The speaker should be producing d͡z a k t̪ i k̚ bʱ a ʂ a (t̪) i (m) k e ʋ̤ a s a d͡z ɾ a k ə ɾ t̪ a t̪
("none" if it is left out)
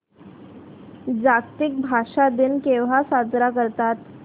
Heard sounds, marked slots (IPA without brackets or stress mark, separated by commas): d̪, n